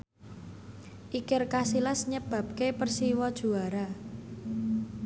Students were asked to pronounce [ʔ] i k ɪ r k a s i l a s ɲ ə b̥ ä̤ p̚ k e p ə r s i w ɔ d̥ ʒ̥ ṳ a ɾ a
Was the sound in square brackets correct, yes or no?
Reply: yes